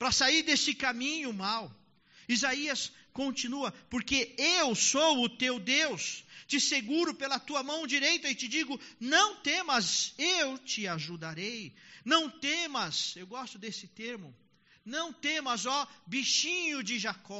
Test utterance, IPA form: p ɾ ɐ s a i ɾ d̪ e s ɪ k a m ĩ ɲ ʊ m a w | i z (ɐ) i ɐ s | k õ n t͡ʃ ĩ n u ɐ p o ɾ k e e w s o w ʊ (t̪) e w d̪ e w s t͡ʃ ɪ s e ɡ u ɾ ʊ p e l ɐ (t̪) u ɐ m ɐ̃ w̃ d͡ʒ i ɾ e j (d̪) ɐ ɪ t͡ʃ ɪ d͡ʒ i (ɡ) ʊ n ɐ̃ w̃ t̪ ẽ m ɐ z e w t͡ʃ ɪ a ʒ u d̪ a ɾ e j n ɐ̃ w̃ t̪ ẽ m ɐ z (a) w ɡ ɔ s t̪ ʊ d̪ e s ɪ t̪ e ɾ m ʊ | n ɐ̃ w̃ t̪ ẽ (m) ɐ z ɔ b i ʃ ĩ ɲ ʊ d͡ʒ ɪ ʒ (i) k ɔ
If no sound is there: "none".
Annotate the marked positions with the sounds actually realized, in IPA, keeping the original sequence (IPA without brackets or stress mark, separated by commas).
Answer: a, t̪, t̪, t̪, ɡ, e, m, a